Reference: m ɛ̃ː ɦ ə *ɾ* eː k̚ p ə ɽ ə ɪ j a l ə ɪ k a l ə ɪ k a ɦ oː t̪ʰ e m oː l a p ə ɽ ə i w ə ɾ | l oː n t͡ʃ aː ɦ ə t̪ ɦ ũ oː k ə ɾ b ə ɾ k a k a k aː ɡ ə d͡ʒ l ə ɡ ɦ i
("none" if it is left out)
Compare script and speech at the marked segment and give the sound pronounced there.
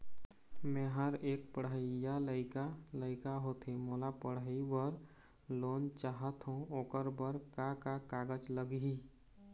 ɾ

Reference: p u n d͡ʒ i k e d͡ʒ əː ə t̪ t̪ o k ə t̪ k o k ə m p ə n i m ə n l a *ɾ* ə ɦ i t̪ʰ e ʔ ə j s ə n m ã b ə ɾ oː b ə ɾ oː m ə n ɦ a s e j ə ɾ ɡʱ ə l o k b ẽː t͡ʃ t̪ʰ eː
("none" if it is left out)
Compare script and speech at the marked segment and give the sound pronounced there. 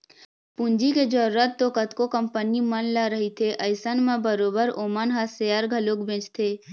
ɾ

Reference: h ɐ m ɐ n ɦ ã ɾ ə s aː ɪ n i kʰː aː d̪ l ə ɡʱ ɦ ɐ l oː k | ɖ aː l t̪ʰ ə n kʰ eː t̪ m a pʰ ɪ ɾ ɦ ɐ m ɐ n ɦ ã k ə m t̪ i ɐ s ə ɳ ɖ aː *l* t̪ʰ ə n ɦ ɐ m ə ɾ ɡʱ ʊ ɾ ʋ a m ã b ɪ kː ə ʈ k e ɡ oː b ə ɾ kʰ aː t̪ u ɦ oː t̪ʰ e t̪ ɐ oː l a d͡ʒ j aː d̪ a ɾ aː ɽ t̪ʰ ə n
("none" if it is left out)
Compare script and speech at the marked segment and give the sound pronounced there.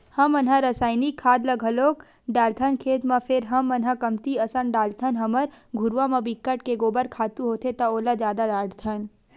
l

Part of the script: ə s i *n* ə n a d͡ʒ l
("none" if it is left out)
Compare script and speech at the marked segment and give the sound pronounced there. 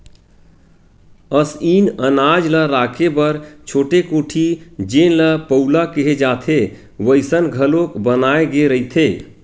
n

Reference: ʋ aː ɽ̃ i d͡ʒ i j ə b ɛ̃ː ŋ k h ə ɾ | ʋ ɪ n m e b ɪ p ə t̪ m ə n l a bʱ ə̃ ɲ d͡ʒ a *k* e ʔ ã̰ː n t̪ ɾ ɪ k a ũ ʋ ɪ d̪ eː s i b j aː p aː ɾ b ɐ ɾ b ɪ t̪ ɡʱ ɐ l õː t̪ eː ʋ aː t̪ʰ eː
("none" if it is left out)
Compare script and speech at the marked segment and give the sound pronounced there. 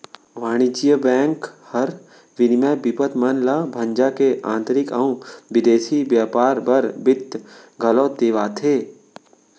k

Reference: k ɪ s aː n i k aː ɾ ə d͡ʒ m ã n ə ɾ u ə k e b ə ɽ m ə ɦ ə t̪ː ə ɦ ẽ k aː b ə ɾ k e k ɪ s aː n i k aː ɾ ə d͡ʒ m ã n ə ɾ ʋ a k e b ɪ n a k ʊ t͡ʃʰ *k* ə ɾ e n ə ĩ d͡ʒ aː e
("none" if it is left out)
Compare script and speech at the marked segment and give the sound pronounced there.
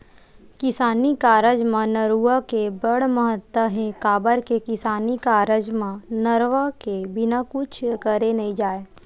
k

